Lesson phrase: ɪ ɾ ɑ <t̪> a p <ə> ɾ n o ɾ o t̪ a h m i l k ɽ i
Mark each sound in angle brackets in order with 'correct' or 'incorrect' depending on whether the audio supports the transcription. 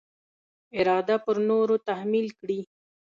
incorrect: d̪, correct

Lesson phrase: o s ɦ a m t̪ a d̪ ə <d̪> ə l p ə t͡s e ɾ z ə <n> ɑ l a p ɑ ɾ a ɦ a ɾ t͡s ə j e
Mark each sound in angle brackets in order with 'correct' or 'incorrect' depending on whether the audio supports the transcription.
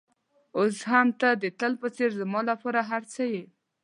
incorrect: t̪, incorrect: m

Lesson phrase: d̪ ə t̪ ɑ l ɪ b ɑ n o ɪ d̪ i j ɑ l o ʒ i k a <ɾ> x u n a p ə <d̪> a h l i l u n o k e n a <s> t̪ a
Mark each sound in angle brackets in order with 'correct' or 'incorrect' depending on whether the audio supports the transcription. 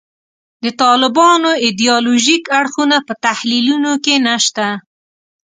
incorrect: ɽ, incorrect: t̪, incorrect: ʃ

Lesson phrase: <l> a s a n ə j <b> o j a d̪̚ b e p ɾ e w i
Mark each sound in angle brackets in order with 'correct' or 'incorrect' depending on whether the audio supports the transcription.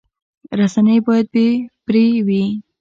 incorrect: ɾ, correct

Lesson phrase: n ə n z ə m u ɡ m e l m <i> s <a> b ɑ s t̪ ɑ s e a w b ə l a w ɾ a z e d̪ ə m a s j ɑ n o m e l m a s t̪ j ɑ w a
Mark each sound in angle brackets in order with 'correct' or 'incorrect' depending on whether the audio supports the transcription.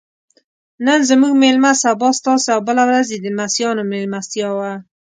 incorrect: a, correct

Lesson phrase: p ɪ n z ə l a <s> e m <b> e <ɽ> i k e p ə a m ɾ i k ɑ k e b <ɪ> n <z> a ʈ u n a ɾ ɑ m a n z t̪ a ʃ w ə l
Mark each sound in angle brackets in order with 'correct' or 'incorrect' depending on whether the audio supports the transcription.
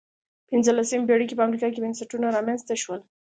correct, correct, correct, correct, incorrect: s

